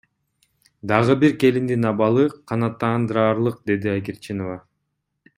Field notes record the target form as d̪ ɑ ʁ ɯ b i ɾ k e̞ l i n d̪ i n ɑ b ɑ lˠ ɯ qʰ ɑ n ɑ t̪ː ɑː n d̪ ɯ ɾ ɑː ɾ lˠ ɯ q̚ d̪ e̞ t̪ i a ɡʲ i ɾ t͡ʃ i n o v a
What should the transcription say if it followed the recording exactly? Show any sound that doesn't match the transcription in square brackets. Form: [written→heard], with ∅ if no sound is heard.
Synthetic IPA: d̪ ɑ ʁ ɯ b i ɾ k e̞ l i n d̪ i n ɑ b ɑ lˠ ɯ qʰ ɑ n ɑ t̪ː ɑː n d̪ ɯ ɾ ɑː ɾ lˠ ɯ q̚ d̪ e̞ [t̪→d̪] i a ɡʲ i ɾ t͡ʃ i n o v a